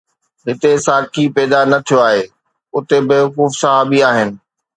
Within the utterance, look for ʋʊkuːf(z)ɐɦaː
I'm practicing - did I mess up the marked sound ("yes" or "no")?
yes